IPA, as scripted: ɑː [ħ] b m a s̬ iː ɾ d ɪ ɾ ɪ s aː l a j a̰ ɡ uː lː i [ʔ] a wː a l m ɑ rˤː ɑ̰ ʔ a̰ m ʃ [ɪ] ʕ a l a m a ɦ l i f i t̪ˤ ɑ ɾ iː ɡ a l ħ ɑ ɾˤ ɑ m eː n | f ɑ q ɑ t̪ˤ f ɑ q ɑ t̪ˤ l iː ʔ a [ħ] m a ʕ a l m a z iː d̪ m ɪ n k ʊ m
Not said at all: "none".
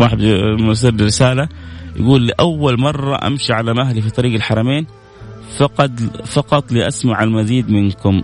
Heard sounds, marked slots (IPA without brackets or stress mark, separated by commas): ħ, ʔ, i, s